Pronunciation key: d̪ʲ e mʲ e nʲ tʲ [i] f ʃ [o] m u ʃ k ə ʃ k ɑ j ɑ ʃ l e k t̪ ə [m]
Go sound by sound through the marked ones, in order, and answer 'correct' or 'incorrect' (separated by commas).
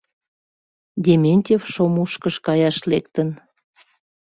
incorrect, correct, incorrect